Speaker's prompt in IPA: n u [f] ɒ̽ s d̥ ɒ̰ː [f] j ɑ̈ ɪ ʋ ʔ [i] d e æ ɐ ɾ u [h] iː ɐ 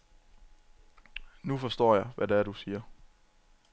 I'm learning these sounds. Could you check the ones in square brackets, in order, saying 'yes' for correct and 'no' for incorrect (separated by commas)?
yes, no, no, no